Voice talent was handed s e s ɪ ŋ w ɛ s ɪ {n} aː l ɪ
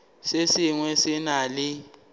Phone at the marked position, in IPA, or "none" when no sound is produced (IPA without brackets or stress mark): n